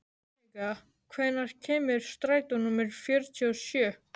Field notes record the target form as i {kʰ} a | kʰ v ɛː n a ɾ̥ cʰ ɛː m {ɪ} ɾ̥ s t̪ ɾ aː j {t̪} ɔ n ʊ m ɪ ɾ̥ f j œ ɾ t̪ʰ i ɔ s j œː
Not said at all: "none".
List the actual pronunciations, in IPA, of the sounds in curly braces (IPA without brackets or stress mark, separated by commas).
k, ɪ, t̪